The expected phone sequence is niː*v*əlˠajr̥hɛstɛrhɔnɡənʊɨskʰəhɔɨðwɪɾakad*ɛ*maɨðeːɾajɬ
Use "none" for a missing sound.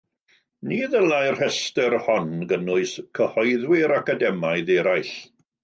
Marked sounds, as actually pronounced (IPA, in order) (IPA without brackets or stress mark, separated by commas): ð, ɛ